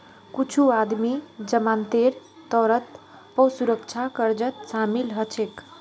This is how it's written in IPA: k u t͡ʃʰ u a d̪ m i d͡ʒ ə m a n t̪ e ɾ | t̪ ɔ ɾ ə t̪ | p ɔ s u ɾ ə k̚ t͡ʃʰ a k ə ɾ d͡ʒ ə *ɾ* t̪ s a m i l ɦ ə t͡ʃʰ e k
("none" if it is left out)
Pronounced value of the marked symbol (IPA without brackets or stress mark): none